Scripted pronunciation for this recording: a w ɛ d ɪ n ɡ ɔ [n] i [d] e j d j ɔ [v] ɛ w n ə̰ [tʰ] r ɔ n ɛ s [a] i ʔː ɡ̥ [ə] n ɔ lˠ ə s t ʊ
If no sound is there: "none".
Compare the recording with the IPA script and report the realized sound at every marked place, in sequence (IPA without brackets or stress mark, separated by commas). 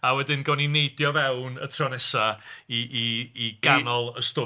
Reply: n, n, v, tʰ, a, a